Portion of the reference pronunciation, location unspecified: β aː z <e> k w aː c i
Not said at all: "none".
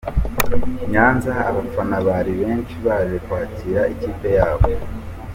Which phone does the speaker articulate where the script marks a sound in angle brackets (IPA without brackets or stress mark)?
e